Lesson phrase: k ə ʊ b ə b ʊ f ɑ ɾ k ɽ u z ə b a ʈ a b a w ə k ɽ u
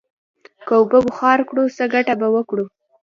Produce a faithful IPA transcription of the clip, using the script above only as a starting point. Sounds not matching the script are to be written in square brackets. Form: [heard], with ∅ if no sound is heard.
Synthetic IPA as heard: k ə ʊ b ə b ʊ [x] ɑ ɾ k ɽ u [s] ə [ɡ] a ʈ a b a w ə k ɽ u